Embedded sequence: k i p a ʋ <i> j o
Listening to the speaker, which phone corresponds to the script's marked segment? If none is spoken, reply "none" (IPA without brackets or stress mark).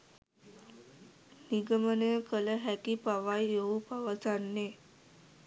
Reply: a